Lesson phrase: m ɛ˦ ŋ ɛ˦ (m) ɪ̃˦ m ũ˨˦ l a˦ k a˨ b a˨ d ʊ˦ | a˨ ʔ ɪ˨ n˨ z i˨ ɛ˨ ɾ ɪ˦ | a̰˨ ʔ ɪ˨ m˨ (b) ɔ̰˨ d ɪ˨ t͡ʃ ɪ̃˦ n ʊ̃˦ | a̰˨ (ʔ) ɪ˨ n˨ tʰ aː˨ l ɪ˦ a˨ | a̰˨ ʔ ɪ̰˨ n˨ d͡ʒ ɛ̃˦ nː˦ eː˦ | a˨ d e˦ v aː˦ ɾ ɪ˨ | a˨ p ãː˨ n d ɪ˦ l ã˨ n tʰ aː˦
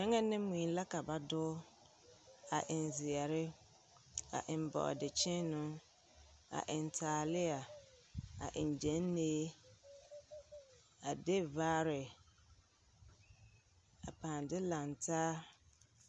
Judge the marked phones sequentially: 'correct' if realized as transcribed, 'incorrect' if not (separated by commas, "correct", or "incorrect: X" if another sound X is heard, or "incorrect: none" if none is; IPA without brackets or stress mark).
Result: incorrect: n, correct, correct